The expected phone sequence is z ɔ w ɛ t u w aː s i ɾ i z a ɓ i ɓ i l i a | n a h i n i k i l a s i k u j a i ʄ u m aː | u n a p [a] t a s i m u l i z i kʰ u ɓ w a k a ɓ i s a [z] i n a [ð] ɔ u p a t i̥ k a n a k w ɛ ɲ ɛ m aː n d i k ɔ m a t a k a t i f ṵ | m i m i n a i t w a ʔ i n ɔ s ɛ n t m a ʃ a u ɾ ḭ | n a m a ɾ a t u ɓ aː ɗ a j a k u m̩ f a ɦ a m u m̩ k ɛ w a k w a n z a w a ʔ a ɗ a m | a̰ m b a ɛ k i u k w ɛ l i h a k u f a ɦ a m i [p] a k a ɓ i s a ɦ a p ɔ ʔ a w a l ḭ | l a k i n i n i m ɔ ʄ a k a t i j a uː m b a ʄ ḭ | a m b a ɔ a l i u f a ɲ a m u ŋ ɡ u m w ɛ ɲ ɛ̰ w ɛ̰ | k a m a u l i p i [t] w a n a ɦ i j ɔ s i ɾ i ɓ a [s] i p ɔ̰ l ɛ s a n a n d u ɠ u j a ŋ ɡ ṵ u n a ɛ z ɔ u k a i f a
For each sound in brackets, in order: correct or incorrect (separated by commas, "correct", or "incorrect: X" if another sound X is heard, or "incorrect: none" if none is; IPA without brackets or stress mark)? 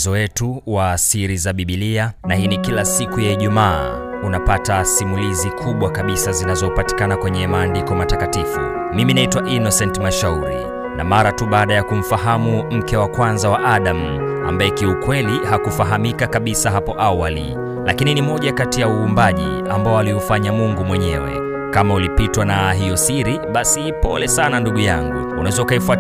correct, correct, incorrect: z, incorrect: k, correct, correct